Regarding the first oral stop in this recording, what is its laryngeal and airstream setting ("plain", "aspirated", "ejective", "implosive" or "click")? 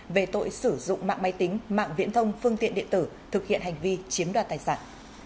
plain